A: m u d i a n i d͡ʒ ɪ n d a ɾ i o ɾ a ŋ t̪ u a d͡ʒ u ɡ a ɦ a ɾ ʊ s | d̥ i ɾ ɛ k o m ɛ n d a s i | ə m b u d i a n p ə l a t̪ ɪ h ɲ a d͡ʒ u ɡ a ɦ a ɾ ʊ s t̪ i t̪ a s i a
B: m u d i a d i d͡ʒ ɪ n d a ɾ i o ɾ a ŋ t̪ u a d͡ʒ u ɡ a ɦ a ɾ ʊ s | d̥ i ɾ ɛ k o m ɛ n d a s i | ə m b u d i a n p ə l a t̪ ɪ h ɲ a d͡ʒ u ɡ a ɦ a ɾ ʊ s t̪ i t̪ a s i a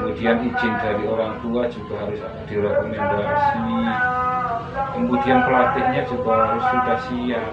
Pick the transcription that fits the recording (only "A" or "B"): A